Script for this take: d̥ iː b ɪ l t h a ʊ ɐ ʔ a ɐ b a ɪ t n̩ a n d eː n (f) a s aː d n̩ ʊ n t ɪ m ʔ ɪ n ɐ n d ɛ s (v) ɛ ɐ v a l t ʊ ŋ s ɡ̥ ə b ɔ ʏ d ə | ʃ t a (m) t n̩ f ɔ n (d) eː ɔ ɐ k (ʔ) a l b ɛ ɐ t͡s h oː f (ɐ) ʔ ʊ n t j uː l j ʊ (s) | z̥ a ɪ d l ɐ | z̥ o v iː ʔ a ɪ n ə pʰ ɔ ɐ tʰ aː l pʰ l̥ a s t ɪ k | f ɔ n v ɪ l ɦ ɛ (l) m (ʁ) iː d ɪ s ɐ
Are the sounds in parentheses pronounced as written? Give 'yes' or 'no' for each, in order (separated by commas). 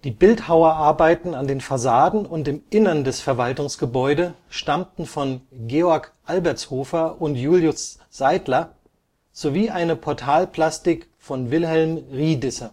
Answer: yes, no, yes, no, yes, yes, yes, yes, yes